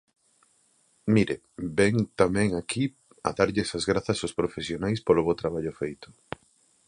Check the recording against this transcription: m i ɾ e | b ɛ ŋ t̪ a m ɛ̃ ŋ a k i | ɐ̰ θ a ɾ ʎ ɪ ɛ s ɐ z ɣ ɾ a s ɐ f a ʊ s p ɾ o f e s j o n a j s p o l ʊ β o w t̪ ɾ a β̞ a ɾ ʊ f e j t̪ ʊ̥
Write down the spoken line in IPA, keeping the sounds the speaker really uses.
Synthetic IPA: m i ɾ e | b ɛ ŋ t̪ a m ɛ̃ ŋ a k i | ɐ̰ ð a ɾ ʎ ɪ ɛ s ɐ z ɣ ɾ a θ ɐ s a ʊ s p ɾ o f e s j o n a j s p o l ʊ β o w t̪ ɾ a β̞ a ʎ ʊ f e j t̪ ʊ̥